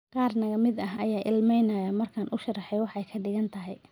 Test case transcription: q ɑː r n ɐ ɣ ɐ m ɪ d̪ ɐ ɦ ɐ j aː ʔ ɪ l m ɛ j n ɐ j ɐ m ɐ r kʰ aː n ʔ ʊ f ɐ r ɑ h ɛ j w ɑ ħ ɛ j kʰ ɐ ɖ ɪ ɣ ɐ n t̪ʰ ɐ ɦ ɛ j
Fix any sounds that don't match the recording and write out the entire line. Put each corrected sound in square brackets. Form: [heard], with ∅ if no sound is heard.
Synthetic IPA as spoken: q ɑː r n ɐ ɣ ɐ m ɪ d̪ ɐ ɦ ɐ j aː ʔ ɪ l m ɛ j n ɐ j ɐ m ɐ r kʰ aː n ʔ ʊ [ʃ] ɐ r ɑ [ħ] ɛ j w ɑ ħ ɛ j kʰ ɐ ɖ ɪ ɣ ɐ n t̪ʰ ɐ ɦ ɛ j